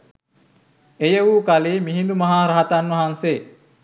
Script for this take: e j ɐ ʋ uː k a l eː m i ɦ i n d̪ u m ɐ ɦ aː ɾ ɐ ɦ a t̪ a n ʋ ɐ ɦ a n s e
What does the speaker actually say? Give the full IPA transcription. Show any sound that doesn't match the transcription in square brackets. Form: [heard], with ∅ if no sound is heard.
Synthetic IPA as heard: e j [ə] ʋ uː k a l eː m i ɦ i n d̪ u m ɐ ɦ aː ɾ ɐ ɦ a t̪ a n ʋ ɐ ɦ a n s e

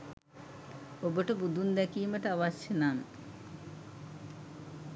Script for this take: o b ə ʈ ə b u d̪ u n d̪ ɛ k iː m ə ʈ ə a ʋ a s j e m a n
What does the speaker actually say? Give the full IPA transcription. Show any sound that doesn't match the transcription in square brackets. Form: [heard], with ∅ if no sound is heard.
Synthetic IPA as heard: o b ə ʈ ə b u d̪ u n d̪ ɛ k iː m ə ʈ ə a ʋ a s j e [n] a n

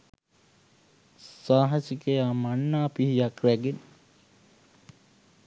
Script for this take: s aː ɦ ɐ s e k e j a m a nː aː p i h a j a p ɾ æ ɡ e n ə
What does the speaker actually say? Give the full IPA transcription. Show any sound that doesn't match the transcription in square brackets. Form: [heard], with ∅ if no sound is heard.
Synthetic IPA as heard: s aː ɦ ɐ s [i] k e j a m a nː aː p i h [i] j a [k] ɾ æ ɡ e n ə

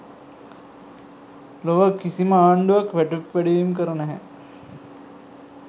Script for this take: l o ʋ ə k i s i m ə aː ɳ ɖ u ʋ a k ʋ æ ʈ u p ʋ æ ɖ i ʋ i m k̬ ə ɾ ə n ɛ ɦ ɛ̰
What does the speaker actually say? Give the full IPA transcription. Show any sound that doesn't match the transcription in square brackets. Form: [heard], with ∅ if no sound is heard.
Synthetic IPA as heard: l o ʋ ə k i s i m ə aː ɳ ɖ u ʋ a k ʋ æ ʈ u p ʋ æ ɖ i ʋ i m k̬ ə ɾ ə n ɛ ɦ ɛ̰

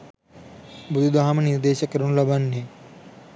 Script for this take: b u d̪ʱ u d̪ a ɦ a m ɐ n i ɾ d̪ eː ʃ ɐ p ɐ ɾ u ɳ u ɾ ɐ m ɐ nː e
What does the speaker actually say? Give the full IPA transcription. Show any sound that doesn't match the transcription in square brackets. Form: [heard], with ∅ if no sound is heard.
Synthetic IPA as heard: b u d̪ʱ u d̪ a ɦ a m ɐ n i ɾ d̪ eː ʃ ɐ [k] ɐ ɾ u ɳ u [l] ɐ [b] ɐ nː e

